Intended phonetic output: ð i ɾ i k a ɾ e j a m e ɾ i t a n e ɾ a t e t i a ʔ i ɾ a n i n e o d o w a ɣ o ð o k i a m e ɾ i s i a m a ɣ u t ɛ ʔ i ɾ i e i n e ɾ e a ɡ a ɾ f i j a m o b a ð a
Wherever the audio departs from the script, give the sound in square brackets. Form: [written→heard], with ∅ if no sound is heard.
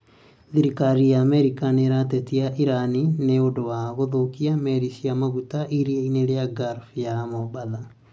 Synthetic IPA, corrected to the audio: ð i ɾ i k a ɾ [e→i] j a m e ɾ i [t→k] a n e ɾ a t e t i a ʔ i ɾ a n i n e o d o w a ɣ o ð o k i a m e ɾ i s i a m a ɣ u t [ɛ→a] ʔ i ɾ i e i n e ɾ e a ɡ a ɾ f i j a m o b a ð a